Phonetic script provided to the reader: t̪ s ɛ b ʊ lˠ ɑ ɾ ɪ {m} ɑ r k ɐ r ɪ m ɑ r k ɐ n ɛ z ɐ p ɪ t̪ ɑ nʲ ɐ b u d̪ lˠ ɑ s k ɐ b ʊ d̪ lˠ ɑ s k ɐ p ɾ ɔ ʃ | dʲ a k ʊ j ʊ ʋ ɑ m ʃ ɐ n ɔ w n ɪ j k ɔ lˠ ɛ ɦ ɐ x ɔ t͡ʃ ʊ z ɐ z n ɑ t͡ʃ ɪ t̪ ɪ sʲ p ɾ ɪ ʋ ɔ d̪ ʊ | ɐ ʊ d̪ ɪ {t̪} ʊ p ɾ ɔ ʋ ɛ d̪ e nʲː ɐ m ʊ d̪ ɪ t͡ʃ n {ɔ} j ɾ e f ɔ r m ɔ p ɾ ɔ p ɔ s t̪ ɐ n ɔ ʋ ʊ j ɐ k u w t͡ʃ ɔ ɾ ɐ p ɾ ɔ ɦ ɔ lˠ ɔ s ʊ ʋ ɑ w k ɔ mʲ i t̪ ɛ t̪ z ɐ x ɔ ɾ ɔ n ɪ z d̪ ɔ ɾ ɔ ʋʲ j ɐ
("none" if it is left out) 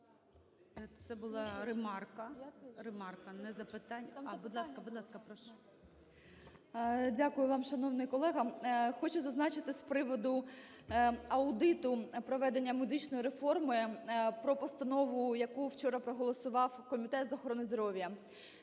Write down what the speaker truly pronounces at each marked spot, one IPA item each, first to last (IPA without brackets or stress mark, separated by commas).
m, t̪, ɔ